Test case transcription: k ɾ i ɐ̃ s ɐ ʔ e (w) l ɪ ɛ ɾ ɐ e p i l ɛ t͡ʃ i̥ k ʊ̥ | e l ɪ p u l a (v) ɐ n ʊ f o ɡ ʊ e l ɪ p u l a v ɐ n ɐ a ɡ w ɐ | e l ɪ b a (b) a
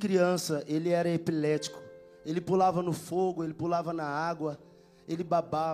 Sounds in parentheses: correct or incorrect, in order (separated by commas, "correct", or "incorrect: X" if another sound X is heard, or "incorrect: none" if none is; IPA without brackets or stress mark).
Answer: incorrect: none, correct, correct